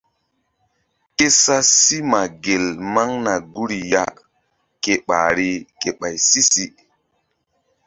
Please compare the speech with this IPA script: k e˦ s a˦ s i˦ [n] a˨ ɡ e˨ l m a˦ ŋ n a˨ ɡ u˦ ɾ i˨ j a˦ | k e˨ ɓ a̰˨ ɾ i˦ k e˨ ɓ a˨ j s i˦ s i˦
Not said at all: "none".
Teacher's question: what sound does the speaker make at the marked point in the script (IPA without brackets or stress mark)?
m